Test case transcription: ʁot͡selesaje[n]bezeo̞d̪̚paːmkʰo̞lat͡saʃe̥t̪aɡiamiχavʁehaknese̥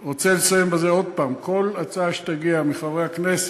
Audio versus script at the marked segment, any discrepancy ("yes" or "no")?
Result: yes